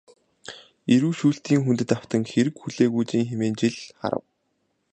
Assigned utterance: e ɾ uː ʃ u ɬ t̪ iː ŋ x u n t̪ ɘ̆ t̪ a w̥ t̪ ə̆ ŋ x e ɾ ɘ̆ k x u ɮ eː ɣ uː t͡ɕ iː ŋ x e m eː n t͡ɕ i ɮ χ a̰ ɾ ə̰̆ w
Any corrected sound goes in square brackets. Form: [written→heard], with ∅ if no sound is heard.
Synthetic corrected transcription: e ɾ uː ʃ [u→uː] ɬ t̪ iː ŋ x u n t̪ ɘ̆ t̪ a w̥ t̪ ə̆ ŋ x e ɾ ɘ̆ k x u ɮ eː ɣ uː t͡ɕ iː ŋ x e m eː n t͡ɕ i ɮ χ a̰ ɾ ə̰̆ w

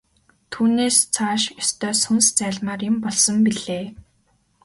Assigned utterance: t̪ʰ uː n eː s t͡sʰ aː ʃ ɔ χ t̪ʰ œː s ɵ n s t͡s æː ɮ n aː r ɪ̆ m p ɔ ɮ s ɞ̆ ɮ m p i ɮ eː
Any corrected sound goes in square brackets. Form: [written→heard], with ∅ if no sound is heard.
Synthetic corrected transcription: t̪ʰ uː n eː s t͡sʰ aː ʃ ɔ [χ→s] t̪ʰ œː s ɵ n s t͡s æː ɮ [n→m] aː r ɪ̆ m p ɔ ɮ s ɞ̆ [ɮ→∅] m p i ɮ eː

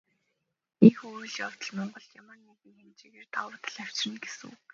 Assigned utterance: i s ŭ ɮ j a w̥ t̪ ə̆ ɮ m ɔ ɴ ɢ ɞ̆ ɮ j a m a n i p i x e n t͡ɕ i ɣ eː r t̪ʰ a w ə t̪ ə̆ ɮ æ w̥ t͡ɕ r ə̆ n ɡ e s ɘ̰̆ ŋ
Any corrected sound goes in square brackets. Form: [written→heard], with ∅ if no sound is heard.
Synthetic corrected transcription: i [s→x] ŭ ɮ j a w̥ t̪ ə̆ ɮ m ɔ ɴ ɢ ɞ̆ ɮ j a m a n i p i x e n t͡ɕ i ɣ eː r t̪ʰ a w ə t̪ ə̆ ɮ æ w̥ t͡ɕ r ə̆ n ɡ e s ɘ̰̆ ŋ

